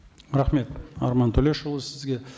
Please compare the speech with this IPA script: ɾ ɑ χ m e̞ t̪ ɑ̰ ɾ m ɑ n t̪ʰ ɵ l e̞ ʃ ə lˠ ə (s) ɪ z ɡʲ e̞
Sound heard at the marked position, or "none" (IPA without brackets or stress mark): s